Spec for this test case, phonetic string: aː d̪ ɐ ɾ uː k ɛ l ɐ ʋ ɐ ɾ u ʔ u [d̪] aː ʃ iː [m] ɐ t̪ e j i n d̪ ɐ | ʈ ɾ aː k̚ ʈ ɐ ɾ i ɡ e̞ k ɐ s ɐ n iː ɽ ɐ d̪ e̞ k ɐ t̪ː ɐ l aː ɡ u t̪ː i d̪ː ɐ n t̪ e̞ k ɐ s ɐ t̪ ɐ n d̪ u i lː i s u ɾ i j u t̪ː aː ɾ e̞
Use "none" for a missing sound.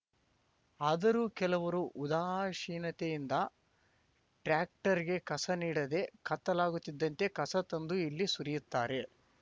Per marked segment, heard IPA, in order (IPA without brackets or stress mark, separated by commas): d̪, n